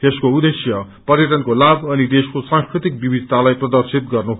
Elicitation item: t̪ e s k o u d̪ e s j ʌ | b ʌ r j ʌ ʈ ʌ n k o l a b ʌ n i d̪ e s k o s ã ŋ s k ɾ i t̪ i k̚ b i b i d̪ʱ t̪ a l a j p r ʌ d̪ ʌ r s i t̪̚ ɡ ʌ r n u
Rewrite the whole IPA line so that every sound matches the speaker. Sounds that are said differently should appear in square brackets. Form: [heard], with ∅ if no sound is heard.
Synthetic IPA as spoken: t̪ e s k o u d̪ e s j ʌ | [p] ʌ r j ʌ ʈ ʌ n k o l a b ʌ n i d̪ e s k o s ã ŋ s k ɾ i t̪ i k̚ b i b i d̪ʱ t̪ a l a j p r ʌ d̪ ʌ r s i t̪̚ ɡ ʌ r n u